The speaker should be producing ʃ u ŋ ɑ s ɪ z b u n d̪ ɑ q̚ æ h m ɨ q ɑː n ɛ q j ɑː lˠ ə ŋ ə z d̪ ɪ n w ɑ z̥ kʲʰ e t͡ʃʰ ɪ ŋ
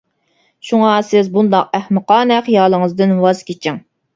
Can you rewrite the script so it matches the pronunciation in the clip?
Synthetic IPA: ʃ u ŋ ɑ s ɪ z b u n d̪ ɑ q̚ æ h m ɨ q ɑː n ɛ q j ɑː lˠ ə ŋ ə z d̪ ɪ n w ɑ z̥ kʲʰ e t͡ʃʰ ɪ ŋ